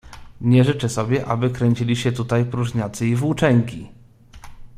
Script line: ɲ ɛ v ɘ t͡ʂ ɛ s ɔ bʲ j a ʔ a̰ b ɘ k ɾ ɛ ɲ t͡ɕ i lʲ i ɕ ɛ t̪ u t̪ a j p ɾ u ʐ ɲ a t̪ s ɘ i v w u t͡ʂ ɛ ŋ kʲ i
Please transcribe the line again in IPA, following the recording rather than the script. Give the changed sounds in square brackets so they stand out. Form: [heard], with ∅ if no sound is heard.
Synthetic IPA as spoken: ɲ ɛ [ʐ] ɘ t͡ʂ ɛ s ɔ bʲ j [ɛ] ʔ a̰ b ɘ k ɾ ɛ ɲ t͡ɕ i lʲ i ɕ ɛ t̪ u t̪ a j p ɾ u ʐ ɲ a t̪ s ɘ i v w u t͡ʂ ɛ ŋ kʲ i